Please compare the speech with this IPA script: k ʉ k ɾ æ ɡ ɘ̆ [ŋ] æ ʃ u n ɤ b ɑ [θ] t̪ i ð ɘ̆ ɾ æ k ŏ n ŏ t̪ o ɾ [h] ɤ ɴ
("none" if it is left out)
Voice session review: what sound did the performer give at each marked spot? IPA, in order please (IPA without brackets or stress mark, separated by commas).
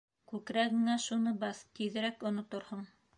ŋ, θ, h